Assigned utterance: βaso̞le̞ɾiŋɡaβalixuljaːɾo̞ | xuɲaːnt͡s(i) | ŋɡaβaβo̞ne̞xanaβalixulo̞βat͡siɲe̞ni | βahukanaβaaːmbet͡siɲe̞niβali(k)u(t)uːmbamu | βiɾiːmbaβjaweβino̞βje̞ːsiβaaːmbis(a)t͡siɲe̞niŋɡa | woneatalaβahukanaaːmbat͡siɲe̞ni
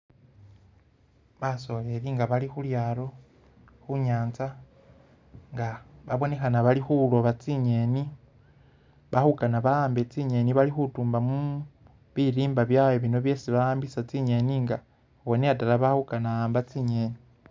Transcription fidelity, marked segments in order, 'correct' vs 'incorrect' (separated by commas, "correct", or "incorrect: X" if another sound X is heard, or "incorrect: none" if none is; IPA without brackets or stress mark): incorrect: a, incorrect: x, correct, correct